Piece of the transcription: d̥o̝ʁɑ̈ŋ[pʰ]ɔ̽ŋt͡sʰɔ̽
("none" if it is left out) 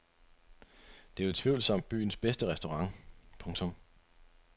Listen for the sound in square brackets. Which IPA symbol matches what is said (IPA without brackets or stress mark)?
pʰ